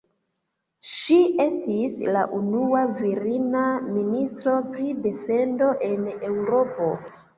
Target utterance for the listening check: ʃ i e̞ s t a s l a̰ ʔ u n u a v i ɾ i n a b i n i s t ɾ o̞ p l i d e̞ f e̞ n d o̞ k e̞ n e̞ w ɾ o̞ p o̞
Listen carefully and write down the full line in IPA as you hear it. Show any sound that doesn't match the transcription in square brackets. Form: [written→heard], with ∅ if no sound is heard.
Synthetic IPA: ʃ i e̞ s t [a→i] s l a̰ ʔ u n u a v i ɾ i n a [b→m] i n i s t ɾ o̞ p [l→ɾ] i d e̞ f e̞ n d o̞ [k→ʔ] e̞ n e̞ w ɾ o̞ p o̞